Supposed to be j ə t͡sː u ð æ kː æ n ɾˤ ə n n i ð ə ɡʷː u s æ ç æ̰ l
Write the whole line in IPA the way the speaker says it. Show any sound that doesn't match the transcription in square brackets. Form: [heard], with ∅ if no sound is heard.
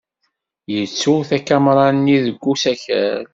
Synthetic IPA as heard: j ə t͡sː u [θ] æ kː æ [m] ɾˤ [ɑ] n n i ð ə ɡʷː u s æ ç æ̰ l